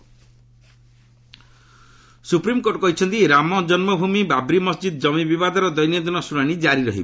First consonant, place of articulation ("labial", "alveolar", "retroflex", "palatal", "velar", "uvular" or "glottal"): alveolar